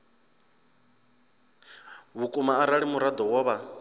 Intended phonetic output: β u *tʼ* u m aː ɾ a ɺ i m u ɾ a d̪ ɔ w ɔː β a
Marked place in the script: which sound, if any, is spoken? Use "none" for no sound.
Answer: kʼ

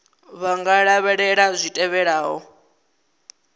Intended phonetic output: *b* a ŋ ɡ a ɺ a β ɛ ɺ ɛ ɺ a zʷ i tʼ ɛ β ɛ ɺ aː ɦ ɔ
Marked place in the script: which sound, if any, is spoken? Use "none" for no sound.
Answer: β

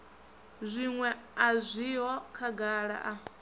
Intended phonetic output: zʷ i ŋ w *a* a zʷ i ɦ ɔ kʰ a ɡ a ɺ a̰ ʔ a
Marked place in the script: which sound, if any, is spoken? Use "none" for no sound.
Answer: ɛ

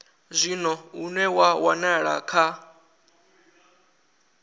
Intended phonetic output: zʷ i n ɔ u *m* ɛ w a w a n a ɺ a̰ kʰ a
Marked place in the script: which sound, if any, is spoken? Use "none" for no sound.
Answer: n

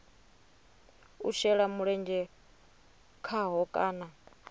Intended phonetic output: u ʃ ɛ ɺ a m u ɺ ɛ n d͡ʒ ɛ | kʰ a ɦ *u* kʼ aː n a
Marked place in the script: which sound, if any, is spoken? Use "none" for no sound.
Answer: ɔ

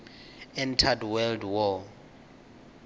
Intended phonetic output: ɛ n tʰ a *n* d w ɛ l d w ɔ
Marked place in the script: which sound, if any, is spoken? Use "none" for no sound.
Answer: none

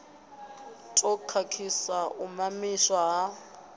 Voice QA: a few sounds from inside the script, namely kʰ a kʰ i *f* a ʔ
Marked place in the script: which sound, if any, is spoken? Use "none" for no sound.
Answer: s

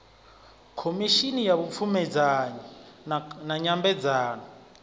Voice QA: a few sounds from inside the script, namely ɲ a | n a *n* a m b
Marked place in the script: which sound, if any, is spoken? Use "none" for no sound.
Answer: ɲ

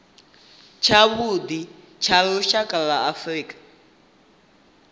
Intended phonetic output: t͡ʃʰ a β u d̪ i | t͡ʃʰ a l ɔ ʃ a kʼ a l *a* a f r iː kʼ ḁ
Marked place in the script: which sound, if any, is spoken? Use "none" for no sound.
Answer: a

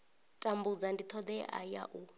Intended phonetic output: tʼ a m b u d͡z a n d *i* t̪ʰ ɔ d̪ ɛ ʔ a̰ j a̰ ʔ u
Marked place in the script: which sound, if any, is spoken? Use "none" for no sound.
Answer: i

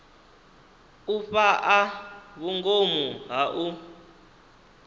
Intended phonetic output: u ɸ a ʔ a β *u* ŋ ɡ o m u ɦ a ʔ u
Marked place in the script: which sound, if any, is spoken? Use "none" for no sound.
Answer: u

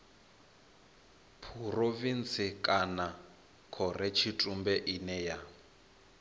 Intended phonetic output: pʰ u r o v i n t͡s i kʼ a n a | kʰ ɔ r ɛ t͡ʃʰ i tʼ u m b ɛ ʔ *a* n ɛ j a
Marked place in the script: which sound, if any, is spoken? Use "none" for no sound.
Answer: i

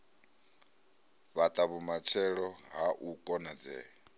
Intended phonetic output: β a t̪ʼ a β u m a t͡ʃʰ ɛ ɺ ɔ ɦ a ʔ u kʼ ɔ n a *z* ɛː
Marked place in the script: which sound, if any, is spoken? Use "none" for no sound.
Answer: d͡z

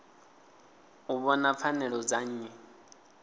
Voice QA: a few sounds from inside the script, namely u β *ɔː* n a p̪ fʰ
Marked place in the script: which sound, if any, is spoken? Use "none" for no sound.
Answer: ɔ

